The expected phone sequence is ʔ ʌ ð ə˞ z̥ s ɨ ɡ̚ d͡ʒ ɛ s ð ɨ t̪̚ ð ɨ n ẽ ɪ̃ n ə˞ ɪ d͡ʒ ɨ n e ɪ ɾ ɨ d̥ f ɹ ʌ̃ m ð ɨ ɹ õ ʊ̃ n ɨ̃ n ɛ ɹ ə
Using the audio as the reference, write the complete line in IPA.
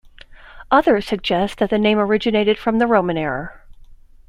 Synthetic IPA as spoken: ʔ ʌ ð ə˞ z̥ s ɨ ɡ̚ d͡ʒ ɛ s ð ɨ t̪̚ ð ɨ n ẽ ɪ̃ m ə˞ ɪ d͡ʒ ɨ n e ɪ ɾ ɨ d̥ f ɹ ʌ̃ m ð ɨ ɹ õ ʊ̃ m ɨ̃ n ɛ ɹ ə